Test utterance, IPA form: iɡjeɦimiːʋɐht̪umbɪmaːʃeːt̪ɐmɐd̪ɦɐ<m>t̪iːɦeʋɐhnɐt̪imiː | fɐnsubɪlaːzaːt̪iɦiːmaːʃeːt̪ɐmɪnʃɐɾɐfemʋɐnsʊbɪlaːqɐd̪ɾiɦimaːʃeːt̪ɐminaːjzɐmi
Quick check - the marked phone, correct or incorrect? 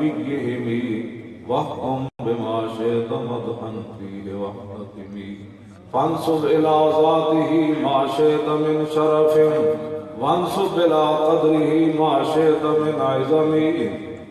incorrect